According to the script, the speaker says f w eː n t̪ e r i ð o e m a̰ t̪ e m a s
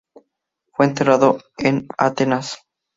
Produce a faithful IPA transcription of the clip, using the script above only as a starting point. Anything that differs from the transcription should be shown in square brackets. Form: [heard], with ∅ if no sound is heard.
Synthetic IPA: f w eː n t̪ e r [a] ð o e [n] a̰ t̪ e [n] a s